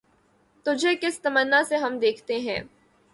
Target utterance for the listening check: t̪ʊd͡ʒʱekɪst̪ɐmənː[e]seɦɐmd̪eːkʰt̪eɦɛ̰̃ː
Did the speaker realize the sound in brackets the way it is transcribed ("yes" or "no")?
no